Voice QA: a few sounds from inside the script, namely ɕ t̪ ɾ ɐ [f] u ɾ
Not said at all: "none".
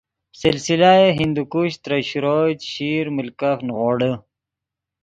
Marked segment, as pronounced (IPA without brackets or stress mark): ɕ